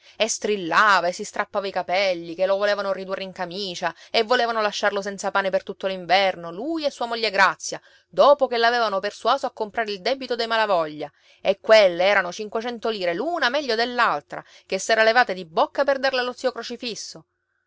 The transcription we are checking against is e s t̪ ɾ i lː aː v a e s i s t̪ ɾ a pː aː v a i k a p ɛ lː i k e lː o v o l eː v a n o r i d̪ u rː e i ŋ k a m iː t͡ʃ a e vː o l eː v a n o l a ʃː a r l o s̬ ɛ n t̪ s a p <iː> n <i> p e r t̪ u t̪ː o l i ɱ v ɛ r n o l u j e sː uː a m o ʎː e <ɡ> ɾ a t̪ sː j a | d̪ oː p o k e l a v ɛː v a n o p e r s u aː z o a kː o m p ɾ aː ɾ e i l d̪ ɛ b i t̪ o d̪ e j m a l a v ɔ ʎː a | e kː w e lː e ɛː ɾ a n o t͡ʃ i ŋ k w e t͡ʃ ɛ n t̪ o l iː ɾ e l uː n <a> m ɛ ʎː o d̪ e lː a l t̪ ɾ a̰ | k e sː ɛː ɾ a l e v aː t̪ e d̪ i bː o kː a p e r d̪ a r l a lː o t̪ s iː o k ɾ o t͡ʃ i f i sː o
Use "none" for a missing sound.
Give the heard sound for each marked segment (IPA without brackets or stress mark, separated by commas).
aː, e, ɡ, a